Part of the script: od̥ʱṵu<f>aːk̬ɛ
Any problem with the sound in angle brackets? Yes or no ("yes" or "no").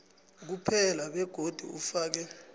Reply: no